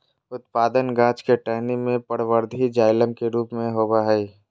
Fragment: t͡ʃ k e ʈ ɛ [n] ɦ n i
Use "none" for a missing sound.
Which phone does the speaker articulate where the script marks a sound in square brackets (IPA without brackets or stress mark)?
none